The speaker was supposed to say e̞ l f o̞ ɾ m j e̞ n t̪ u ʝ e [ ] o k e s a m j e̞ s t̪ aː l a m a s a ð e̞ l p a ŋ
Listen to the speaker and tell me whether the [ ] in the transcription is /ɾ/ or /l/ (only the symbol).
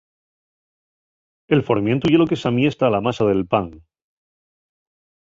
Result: l